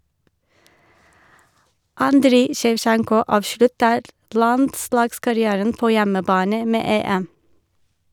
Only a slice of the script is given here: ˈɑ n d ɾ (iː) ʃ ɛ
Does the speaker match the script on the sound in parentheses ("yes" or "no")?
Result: yes